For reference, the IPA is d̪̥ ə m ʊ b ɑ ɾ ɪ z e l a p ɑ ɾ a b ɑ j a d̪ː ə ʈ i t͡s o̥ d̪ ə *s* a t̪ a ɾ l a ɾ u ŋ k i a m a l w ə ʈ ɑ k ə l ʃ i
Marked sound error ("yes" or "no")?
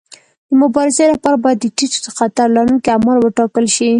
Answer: yes